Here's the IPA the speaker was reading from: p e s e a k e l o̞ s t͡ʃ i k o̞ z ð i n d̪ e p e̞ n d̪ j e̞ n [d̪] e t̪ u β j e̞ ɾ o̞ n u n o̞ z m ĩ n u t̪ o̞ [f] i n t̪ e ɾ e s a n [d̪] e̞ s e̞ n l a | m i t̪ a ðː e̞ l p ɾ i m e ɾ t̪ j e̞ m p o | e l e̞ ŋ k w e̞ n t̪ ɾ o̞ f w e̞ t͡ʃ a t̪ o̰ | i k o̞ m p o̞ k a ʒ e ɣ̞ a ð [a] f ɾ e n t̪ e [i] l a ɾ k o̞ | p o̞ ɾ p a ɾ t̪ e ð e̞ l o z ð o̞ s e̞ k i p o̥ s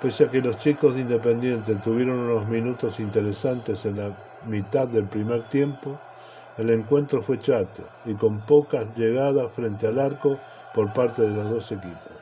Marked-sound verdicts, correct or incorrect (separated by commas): incorrect, incorrect, incorrect, correct, incorrect